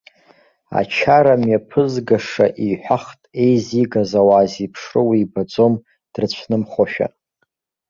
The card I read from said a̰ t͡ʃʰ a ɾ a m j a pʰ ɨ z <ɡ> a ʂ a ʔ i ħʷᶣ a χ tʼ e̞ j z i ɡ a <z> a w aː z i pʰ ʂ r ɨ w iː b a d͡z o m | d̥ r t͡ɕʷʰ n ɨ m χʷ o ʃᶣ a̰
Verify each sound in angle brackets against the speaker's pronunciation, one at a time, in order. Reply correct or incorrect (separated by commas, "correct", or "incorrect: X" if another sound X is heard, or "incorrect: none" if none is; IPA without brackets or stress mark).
correct, correct